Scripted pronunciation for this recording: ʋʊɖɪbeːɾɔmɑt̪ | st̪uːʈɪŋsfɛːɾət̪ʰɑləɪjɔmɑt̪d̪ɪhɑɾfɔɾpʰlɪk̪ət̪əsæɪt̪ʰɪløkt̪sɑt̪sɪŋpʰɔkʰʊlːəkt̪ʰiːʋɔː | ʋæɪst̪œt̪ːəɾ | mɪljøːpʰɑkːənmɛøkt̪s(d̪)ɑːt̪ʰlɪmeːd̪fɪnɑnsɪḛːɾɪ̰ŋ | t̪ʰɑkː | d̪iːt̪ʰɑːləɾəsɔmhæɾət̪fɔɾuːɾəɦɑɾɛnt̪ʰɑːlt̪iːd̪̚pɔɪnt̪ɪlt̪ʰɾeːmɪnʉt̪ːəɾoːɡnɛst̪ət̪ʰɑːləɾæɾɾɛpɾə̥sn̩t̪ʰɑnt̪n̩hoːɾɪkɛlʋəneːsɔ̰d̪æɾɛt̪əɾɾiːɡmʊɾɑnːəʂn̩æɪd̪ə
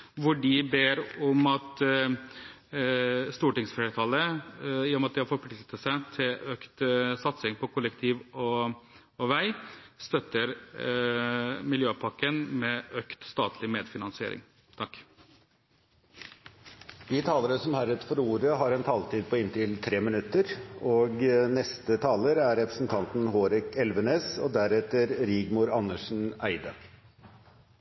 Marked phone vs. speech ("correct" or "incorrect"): incorrect